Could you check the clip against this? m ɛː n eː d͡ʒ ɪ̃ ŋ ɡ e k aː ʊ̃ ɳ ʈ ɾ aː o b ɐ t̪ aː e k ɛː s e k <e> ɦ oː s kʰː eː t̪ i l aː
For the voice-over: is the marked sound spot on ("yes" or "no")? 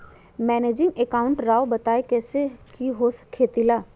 no